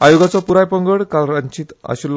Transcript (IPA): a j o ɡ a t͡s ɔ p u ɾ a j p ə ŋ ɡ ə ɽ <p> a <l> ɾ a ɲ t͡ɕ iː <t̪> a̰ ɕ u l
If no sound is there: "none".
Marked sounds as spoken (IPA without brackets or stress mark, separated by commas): k, l, t̪